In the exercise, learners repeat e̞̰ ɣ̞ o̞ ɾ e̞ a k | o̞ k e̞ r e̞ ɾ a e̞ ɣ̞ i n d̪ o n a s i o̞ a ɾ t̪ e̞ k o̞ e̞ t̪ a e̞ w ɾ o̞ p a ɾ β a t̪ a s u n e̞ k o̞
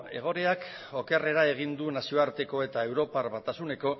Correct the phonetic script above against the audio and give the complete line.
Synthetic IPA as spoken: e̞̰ ɣ̞ o̞ ɾ e̞ a k | o̞ k e̞ r e̞ ɾ a e̞ ɣ̞ i n d̪ u n a s i o̞ a ɾ t̪ e̞ k o̞ e̞ t̪ a e̞ w ɾ o̞ p a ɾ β a t̪ a s u n e̞ k o̞